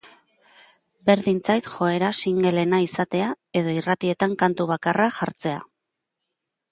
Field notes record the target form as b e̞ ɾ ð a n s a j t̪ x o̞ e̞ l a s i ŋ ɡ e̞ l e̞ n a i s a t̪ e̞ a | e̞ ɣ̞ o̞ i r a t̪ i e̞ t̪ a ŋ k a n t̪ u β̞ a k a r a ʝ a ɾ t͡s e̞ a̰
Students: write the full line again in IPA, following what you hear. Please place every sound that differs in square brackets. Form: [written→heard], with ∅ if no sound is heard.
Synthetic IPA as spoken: b e̞ ɾ ð [a→i] n [s→t͡s] a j t̪ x o̞ e̞ [l→ɾ] a s i ŋ ɡ e̞ l e̞ n a i s a t̪ e̞ a | e̞ [ɣ̞→ð̞] o̞ i r a t̪ i e̞ t̪ a ŋ k a n t̪ u β̞ a k a r a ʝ a ɾ t͡s e̞ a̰